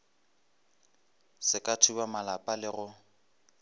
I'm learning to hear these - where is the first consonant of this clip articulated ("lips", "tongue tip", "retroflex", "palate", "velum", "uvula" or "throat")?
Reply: tongue tip